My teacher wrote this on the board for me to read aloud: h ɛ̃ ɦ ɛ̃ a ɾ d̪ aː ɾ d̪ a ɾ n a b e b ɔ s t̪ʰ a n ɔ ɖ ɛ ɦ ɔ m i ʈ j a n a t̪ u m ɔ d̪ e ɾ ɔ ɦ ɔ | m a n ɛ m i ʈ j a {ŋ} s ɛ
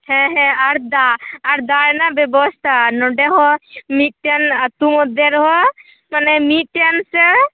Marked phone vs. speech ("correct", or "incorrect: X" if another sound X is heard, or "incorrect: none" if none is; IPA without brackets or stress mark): incorrect: n